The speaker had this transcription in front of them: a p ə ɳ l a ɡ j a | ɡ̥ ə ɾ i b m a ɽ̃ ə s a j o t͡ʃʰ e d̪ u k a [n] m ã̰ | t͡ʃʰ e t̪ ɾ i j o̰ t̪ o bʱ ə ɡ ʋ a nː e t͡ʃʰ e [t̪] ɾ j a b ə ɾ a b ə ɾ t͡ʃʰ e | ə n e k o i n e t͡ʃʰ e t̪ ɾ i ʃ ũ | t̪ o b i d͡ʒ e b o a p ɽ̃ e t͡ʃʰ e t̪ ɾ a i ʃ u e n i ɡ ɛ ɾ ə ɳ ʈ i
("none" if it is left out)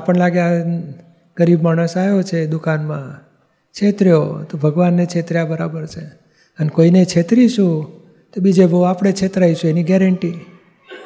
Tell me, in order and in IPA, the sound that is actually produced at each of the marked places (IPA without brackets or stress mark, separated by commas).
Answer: n, t̪